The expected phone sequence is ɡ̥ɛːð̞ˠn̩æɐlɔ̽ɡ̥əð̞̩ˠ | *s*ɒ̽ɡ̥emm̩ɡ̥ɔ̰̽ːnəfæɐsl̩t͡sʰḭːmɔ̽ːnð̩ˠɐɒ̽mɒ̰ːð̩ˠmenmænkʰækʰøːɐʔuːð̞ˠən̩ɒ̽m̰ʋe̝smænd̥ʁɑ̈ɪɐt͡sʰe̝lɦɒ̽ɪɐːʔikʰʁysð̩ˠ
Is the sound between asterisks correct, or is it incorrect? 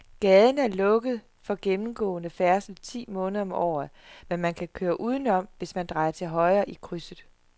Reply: incorrect